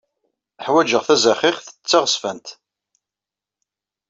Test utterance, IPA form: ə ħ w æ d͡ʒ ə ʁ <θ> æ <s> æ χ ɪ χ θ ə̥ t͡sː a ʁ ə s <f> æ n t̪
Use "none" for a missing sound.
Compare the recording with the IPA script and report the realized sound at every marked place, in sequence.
θ, z, f

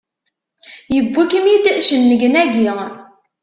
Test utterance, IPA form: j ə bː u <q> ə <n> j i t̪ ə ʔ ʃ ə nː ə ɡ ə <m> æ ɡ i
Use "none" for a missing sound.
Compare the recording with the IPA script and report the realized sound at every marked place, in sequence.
k, m, n

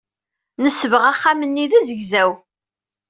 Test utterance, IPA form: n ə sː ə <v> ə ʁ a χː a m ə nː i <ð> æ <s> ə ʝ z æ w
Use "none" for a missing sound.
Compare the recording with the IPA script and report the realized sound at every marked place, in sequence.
v, ð, z

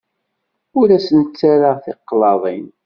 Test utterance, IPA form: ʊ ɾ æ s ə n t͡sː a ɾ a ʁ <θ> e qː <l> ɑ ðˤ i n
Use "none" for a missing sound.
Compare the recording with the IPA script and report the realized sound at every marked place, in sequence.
θ, l

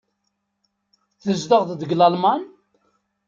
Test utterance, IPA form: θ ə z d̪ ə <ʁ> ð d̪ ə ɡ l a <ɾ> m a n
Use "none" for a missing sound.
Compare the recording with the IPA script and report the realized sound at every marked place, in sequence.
ʁ, l

